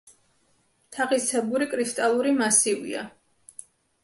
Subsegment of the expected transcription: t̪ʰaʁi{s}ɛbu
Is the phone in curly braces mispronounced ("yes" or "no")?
no